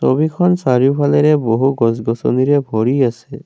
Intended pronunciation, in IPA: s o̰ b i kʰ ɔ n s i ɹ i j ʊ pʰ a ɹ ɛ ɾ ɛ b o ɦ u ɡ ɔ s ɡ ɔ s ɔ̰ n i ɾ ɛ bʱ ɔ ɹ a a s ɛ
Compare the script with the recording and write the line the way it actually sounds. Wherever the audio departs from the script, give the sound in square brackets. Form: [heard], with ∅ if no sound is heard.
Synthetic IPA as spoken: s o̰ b i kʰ ɔ n s [a] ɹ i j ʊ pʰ a [l] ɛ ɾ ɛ b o ɦ u ɡ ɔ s ɡ ɔ s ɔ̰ n i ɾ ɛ bʱ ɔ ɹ [i] a s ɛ

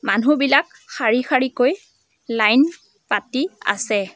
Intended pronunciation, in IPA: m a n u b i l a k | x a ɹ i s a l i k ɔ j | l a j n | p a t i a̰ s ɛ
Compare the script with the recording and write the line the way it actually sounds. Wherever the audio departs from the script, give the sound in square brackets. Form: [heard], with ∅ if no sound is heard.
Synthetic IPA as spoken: m a n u b i l a k | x a ɹ i [x] a [ɹ] i k [o] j | l a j n | p a t i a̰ s ɛ

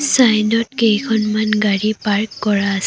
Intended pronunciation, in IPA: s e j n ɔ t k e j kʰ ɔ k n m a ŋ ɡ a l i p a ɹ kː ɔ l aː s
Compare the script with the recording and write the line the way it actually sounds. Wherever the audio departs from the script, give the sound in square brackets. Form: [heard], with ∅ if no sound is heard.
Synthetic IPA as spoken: s [a] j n ɔ t k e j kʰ ɔ [∅] n m a [n] ɡ a [ɹ] i p a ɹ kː ɔ [ɹ] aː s

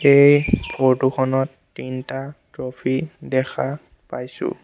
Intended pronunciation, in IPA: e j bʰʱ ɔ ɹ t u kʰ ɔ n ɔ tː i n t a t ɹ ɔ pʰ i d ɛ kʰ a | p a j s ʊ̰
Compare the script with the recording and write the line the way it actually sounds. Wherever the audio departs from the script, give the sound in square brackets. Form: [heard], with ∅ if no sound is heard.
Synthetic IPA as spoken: e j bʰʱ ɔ ɹ t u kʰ ɔ n ɔ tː i n t a t ɹ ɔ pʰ i d ɛ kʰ a | p a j s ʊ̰

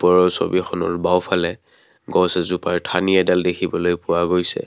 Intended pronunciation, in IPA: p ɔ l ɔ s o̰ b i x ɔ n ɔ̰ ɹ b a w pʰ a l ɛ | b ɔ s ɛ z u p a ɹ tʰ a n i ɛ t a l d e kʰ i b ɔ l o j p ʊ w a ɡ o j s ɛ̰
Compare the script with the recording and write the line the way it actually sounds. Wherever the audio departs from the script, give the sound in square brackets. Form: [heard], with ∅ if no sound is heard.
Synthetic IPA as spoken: p ɔ [ɹ] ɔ s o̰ b i x ɔ n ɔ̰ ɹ b a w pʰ a l ɛ | [ɡ] ɔ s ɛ z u p a ɹ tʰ a n i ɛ [d] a l d e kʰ i b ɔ l o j p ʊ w a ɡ o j s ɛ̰

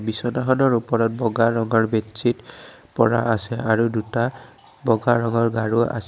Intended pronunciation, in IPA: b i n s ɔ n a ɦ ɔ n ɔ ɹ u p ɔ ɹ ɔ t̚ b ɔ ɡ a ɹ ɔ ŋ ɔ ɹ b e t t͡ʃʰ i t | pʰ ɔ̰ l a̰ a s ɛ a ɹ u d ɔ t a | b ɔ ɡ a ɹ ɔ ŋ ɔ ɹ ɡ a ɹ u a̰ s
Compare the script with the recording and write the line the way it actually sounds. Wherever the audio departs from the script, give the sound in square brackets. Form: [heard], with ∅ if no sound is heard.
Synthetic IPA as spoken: b i [∅] s ɔ n a ɦ ɔ n ɔ ɹ u p ɔ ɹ ɔ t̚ b ɔ ɡ a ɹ ɔ ŋ ɔ ɹ b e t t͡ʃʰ i t | [p] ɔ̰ [ɹ] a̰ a s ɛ a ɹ u d [u] t a | b ɔ ɡ a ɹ ɔ ŋ ɔ ɹ ɡ a ɹ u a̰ s

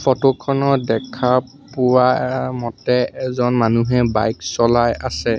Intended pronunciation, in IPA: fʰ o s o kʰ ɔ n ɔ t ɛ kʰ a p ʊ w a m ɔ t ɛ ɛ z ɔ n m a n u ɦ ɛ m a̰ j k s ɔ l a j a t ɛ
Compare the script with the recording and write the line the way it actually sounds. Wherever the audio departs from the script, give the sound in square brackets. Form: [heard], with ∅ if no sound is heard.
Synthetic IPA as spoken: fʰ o [t] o kʰ ɔ n ɔ [d] ɛ kʰ a p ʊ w a m ɔ t ɛ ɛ z ɔ n m a n u ɦ ɛ [b] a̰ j k s ɔ l a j a [s] ɛ

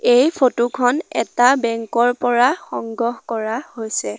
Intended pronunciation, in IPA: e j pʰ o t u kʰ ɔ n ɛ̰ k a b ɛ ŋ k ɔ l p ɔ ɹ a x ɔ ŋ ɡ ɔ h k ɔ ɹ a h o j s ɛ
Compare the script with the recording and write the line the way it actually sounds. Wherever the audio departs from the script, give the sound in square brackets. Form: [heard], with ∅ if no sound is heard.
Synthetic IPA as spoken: e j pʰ o t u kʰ ɔ n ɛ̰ [t] a b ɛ ŋ k ɔ [ɹ] p ɔ ɹ a x ɔ ŋ ɡ ɔ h k ɔ ɹ a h o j s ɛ

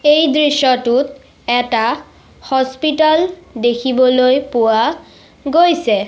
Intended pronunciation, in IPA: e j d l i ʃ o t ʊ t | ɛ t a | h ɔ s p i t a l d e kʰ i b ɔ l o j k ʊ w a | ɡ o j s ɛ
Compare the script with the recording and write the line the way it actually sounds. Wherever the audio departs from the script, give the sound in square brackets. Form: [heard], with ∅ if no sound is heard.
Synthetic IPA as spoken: e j d [ɹ] i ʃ [ɔ] t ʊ t | ɛ t a | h ɔ s p i t a l d e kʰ i b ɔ l o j [p] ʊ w a | ɡ o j s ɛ

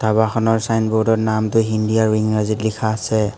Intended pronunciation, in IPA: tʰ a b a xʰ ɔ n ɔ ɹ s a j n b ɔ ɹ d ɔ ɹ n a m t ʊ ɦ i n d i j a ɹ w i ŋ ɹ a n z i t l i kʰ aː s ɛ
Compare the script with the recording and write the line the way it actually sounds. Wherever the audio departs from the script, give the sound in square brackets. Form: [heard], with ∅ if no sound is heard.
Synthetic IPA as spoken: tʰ a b a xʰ ɔ n ɔ ɹ s a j n b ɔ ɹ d ɔ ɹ n a m t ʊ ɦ i n d i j a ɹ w i ŋ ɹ a [∅] z i t l i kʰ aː s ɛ

